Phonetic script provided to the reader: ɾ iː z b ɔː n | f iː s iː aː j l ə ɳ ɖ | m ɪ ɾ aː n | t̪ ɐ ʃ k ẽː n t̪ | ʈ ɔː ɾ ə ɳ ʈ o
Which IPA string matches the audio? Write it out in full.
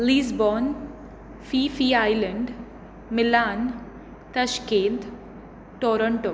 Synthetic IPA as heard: l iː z b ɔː n | f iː f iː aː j l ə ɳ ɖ | m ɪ l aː n | t̪ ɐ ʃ k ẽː n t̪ | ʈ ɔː ɾ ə ɳ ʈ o